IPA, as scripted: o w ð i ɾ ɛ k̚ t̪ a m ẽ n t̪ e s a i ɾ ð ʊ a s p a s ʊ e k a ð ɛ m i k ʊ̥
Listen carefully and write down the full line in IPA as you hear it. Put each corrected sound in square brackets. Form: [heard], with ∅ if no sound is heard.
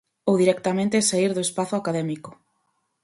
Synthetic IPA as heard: o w ð i ɾ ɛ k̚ t̪ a m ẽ n t̪ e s a i ɾ ð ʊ [e] s p a [θ] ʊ [a] k a ð ɛ m i k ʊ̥